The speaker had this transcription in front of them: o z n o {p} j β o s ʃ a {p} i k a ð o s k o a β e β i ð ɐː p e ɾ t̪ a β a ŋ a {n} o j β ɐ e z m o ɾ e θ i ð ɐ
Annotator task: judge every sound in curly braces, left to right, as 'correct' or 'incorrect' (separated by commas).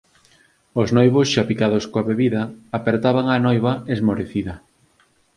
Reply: incorrect, correct, correct